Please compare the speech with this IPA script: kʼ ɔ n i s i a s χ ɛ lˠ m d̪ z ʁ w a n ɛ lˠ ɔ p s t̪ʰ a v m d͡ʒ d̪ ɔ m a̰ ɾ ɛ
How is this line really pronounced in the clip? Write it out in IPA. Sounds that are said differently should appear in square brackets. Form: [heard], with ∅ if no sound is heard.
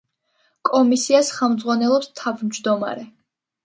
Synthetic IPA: kʼ ɔ [m] i s i a s χ ɛ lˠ m d̪ z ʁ w a n ɛ lˠ ɔ p s t̪ʰ a v m d͡ʒ d̪ ɔ m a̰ ɾ ɛ